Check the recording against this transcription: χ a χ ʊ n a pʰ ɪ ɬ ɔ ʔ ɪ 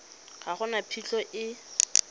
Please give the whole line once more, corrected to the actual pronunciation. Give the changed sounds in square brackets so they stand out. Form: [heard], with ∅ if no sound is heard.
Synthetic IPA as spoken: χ a χ ʊ n a pʰ [i] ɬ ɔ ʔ ɪ